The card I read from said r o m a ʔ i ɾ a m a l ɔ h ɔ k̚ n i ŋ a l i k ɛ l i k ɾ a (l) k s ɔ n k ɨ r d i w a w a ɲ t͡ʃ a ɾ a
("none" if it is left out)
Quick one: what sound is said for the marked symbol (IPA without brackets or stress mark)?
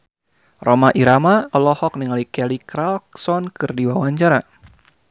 l